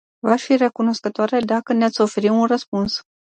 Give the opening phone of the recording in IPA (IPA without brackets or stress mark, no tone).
v